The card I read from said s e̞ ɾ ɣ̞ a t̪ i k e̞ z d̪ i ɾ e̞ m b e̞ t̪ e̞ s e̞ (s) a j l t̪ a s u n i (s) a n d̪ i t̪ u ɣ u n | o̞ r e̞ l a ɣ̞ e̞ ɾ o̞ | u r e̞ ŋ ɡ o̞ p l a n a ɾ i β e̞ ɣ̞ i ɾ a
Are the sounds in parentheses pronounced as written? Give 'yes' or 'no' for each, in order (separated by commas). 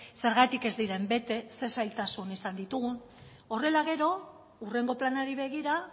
yes, yes